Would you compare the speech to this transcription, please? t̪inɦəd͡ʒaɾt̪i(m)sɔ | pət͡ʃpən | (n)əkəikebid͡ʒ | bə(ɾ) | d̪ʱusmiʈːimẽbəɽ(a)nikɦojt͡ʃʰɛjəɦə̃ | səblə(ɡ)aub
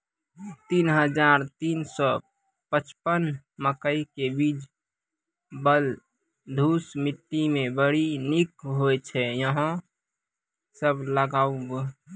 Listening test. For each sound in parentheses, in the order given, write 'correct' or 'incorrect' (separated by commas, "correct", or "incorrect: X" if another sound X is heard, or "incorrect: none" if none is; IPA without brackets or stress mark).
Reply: incorrect: n, incorrect: m, incorrect: l, incorrect: i, correct